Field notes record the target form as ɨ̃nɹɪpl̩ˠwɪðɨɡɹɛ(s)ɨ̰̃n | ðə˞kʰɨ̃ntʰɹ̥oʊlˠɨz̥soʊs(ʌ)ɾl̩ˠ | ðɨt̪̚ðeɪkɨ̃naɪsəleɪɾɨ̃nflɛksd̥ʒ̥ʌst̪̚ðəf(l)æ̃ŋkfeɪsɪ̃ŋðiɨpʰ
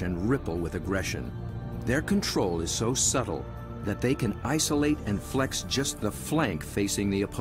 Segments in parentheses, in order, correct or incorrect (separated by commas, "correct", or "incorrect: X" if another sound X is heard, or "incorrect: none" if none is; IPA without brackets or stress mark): incorrect: ʃ, correct, correct